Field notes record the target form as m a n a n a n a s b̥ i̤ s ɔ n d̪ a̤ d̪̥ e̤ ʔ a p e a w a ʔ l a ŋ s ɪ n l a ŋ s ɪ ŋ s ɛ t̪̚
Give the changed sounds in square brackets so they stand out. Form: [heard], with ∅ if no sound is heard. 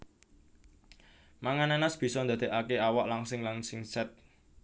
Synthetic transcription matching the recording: m a [ŋ] a n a n a s b̥ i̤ s ɔ n d̪ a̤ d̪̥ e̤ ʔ a [k] e a w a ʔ l a ŋ s ɪ [ŋ] l a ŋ s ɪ ŋ s ɛ t̪̚